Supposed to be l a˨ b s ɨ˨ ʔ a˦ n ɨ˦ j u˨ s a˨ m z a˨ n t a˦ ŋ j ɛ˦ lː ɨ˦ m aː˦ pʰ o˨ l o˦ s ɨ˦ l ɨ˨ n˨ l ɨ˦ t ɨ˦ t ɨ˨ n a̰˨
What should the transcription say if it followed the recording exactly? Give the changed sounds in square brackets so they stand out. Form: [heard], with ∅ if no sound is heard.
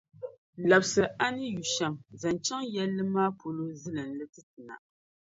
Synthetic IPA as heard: l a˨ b s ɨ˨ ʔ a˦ n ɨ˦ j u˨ [ʃ] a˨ m z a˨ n [t͡ʃ] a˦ ŋ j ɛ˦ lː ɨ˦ m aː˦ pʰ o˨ l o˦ [z] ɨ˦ l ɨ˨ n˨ l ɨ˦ t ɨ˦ t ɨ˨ n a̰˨